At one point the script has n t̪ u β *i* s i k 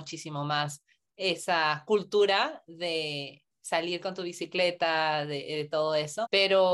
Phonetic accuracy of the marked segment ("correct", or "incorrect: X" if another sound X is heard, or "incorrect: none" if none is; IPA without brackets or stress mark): correct